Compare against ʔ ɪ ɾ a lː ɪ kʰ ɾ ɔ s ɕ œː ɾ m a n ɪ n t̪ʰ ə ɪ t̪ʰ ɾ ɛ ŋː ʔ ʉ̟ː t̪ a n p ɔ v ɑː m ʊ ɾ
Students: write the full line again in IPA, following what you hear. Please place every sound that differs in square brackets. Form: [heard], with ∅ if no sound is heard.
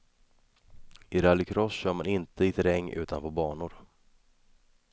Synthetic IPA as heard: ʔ ɪ ɾ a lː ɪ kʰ ɾ ɔ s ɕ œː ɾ m a n ɪ n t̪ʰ ə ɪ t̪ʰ ɾ ɛ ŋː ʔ ʉ̟ː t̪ a n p ɔ [b] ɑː [ɳ] ʊ ɾ